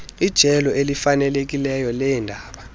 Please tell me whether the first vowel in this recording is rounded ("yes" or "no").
no